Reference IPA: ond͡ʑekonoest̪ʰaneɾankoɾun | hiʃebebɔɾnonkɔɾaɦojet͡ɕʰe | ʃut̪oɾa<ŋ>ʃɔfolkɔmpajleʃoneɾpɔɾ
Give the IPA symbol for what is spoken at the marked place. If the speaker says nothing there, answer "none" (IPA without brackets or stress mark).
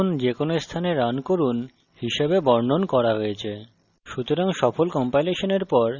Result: ŋ